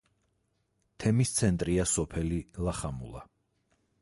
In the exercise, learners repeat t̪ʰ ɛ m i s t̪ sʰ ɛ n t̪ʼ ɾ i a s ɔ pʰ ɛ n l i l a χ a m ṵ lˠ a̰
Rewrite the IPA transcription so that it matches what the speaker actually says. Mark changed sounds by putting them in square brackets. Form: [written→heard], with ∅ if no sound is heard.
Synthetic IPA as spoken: t̪ʰ ɛ m i s t̪ sʰ ɛ n t̪ʼ ɾ i a s ɔ pʰ ɛ [n→∅] l i l a χ a m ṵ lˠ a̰